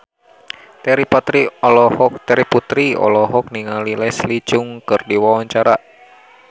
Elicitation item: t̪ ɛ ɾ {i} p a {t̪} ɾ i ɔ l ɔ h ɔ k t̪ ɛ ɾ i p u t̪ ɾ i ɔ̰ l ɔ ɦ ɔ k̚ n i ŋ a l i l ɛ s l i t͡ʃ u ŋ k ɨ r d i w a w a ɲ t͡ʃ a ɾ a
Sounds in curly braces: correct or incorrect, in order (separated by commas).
correct, correct